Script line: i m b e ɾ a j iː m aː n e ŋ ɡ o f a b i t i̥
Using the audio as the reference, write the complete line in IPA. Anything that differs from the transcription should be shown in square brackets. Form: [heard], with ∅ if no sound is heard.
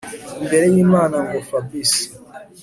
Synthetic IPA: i m b e ɾ [e] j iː m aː n [a] ŋ ɡ o f a b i [s] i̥